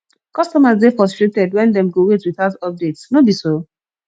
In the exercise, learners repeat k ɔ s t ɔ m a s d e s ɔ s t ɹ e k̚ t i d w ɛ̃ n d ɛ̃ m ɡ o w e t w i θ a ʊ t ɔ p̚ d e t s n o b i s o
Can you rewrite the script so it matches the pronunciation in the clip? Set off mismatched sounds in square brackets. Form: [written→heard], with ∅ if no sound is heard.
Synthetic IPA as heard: k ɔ s t ɔ m a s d e [s→f] ɔ s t ɹ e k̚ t [i→ɛ] d w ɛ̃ n d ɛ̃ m ɡ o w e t w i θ a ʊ t ɔ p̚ d e t s n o b i s o